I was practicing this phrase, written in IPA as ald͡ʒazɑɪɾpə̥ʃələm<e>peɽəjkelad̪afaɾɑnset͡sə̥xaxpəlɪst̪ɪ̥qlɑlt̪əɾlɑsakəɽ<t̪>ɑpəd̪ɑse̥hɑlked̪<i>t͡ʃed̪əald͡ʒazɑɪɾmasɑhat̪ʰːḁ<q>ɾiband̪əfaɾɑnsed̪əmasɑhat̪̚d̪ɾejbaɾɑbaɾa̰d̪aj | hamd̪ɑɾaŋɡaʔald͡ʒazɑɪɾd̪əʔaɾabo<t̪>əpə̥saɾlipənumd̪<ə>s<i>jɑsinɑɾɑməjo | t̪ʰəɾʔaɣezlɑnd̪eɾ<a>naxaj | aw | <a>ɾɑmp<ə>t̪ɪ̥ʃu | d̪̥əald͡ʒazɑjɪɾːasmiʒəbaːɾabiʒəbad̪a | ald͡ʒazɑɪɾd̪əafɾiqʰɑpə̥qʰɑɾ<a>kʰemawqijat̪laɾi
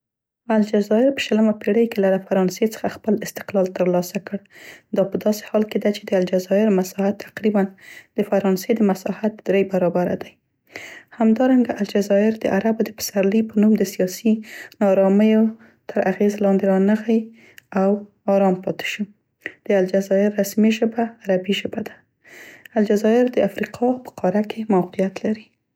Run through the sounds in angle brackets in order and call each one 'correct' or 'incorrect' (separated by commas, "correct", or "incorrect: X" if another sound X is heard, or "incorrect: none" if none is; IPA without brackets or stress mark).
incorrect: a, incorrect: d̪, incorrect: a, correct, incorrect: d̪, correct, correct, incorrect: ɑ, incorrect: ɑ, incorrect: ɑ, correct